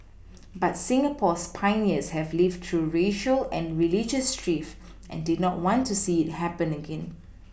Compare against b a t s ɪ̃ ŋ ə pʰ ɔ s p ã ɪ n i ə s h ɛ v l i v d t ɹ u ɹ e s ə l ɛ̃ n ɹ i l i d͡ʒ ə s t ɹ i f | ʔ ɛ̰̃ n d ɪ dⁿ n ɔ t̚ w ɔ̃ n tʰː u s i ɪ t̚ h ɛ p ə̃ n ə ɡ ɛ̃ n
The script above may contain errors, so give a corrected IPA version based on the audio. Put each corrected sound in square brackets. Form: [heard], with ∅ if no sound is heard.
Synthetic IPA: b a t s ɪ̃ ŋ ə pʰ ɔ s [pʰ] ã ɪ n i ə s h ɛ v l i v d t ɹ u ɹ e [ʃ] ə l ɛ̃ n ɹ i l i d͡ʒ ə s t ɹ i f | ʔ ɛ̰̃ n d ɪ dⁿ n ɔ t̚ w ɔ̃ n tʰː u s i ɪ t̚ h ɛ p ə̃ n ə ɡ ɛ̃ n